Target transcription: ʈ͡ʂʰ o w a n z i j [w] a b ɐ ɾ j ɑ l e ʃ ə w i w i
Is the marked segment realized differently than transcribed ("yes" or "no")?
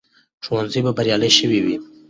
yes